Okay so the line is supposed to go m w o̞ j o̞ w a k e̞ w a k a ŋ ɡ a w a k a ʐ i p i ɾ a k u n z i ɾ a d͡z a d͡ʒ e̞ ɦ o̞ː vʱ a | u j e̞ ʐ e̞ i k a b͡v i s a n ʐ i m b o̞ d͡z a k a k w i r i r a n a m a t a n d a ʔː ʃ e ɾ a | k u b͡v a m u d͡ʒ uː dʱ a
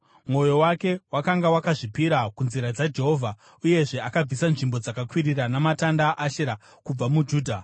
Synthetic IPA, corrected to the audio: m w o̞ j o̞ w a k e̞ w a k a ŋ ɡ a w a k a ʐ i p i ɾ a k u n z i ɾ a d͡z a d͡ʒ e̞ ɦ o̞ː vʱ a | u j e̞ ʐ e̞ a k a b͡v i s a n ʐ i m b o̞ d͡z a k a k w i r i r a n a m a t a n d a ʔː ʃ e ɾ a | k u b͡v a m u d͡ʒ uː dʱ a